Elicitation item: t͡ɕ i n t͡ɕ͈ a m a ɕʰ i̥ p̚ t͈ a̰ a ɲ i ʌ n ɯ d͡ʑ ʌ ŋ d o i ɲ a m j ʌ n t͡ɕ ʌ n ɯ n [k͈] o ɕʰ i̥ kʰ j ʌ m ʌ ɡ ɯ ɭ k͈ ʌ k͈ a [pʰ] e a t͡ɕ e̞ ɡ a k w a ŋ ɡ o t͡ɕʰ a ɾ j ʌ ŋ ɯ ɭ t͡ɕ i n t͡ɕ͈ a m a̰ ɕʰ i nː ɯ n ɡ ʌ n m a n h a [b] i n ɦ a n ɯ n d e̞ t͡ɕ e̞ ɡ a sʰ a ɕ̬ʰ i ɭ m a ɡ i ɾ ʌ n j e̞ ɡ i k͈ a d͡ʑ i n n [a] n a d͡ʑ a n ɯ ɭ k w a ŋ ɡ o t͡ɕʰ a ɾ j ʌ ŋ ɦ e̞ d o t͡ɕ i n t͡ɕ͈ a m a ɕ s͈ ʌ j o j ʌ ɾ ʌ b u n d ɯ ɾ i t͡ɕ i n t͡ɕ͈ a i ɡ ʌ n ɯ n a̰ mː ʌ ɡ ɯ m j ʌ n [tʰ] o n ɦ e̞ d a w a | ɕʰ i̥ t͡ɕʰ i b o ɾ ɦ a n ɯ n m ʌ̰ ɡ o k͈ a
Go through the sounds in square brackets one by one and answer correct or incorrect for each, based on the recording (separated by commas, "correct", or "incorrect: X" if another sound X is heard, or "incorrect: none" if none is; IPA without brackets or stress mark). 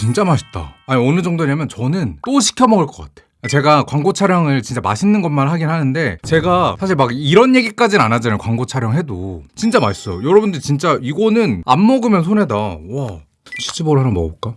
incorrect: t͈, incorrect: tʰ, incorrect: ɡ, correct, incorrect: sʰ